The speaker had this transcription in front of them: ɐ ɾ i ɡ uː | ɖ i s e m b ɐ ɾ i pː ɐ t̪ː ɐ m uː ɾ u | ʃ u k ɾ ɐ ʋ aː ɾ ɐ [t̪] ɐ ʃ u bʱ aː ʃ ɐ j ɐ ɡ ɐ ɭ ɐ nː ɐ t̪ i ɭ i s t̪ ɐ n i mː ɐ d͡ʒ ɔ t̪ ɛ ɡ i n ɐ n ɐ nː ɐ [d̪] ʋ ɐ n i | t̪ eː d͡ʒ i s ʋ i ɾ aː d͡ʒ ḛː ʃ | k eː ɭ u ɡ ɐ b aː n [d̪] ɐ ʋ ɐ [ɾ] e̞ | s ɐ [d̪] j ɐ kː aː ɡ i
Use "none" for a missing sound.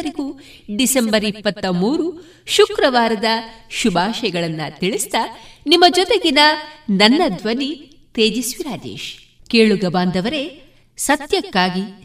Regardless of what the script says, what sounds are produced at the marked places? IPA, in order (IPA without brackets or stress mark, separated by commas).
d̪, d̪, d̪, ɾ, t̪